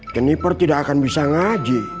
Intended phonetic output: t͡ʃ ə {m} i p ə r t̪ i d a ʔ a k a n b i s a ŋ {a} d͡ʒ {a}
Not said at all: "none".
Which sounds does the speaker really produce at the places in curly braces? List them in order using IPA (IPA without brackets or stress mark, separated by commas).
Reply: n, a, i